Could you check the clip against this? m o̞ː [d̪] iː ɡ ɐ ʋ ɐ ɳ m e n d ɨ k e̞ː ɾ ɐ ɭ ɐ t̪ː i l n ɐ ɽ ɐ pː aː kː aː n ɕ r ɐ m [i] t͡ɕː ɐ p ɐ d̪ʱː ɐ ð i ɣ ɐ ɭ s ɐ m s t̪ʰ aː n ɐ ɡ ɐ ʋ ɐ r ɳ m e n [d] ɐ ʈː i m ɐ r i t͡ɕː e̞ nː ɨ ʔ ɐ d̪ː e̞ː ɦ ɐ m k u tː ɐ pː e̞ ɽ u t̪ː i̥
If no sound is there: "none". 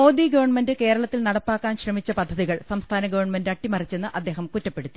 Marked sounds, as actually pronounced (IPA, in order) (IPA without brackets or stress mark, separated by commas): d̪, i, d